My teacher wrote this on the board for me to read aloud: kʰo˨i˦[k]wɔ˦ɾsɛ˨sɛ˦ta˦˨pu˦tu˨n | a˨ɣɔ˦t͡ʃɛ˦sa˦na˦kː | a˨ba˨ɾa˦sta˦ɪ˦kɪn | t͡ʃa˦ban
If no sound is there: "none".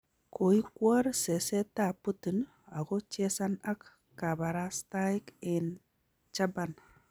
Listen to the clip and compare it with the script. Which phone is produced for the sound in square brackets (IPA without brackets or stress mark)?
k